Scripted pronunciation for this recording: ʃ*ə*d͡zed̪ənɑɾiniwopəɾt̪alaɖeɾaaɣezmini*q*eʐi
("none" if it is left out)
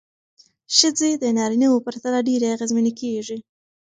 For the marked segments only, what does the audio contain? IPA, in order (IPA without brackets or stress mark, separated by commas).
ə, k